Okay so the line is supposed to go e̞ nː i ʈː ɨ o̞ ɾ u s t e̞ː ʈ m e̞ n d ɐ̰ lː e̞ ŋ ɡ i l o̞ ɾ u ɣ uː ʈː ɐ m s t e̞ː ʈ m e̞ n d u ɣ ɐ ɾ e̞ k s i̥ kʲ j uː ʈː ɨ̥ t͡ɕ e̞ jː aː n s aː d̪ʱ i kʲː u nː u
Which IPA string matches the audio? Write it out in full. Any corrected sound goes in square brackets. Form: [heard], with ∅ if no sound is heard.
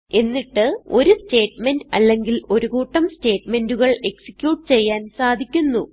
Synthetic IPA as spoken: e̞ nː i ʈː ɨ o̞ ɾ u s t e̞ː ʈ m e̞ n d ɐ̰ lː e̞ ŋ ɡ i l o̞ ɾ u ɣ uː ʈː ɐ m s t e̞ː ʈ m e̞ n d u ɣ ɐ [ɭ] e̞ k s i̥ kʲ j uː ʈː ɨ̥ t͡ɕ e̞ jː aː n s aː d̪ʱ i kʲː u nː u

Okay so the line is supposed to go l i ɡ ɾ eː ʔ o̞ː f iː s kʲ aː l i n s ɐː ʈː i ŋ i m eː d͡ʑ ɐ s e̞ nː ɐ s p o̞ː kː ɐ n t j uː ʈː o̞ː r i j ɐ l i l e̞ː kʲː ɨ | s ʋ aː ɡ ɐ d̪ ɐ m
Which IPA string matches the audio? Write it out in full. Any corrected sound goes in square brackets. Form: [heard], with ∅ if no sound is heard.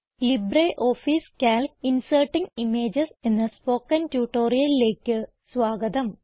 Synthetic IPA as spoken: l i [b] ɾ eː ʔ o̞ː f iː s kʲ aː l i n s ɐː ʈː i ŋ i m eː d͡ʑ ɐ s e̞ nː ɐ s p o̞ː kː ɐ n t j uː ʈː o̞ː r i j ɐ l i l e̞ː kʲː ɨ | s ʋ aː ɡ ɐ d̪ ɐ m

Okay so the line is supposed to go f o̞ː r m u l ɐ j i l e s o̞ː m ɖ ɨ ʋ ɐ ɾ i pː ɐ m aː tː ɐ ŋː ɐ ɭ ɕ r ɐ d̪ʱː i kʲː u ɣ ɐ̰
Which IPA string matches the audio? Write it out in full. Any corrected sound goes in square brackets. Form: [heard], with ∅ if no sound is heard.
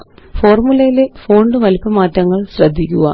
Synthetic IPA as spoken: f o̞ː r m u l ɐ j i l e [f] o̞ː [ɳ] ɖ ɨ ʋ ɐ [l] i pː ɐ m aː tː ɐ ŋː ɐ ɭ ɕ r ɐ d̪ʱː i kʲː u ɣ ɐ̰

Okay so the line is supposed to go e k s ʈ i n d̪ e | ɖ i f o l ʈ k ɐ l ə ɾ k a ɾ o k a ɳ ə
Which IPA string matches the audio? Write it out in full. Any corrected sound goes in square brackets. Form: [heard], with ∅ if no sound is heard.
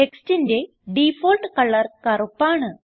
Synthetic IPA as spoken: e k s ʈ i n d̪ e | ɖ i f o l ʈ k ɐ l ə ɾ k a ɾ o [p] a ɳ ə

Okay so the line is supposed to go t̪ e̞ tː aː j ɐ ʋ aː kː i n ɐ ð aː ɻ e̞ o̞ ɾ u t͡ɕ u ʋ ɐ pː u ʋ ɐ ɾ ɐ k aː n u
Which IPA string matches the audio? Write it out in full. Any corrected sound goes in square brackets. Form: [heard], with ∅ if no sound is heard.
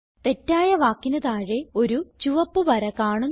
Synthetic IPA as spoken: t̪ e̞ tː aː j ɐ ʋ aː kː i n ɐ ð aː ɻ e̞ o̞ ɾ u t͡ɕ u ʋ ɐ pː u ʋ ɐ ɾ ɐ k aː [ɳ] u

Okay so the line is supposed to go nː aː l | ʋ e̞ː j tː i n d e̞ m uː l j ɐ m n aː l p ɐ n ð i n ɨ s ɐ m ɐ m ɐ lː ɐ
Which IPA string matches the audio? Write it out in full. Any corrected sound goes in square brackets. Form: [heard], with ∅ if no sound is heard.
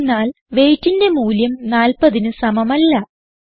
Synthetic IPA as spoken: nː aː l | ʋ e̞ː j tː i n d e̞ m uː l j ɐ m n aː l p ɐ [∅] ð i n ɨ s ɐ m ɐ m ɐ lː ɐ

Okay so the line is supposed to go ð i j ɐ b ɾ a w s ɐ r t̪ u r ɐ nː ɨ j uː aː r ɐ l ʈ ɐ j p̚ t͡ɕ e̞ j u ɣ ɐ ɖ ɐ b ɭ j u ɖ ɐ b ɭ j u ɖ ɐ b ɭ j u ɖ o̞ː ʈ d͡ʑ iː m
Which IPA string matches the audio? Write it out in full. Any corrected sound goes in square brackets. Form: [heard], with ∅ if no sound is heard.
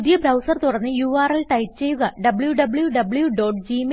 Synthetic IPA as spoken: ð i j ɐ b ɾ [ɐ] w s ɐ r t̪ u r ɐ nː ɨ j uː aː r ɐ l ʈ ɐ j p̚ t͡ɕ e̞ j u ɣ ɐ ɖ ɐ b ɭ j u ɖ ɐ b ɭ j u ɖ ɐ b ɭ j u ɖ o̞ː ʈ d͡ʑ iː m

